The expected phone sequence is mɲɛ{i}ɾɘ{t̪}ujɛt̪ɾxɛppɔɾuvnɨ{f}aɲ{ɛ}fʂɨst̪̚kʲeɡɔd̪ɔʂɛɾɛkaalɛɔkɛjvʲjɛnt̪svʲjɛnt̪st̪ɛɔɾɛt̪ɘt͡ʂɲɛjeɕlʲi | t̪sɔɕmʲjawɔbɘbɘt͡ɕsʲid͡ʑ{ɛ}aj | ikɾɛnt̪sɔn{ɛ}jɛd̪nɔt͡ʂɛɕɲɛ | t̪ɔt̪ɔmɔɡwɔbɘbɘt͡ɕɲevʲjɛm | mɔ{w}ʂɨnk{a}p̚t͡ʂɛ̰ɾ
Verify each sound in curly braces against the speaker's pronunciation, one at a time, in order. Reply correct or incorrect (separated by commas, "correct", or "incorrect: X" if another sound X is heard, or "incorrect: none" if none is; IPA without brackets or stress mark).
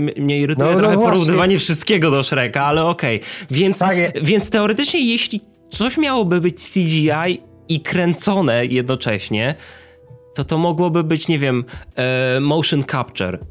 correct, correct, incorrect: v, correct, incorrect: i, correct, correct, correct